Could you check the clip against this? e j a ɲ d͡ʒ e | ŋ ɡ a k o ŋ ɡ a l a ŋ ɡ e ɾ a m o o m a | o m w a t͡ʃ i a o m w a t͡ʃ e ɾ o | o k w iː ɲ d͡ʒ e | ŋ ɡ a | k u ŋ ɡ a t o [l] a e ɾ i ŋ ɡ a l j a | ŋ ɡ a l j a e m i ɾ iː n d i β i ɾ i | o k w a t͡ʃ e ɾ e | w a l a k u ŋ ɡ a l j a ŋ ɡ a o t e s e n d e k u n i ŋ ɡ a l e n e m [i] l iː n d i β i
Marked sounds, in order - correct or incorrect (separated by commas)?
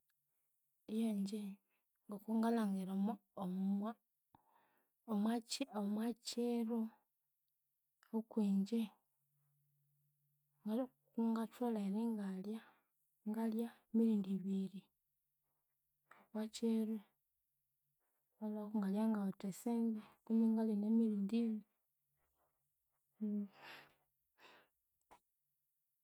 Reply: correct, correct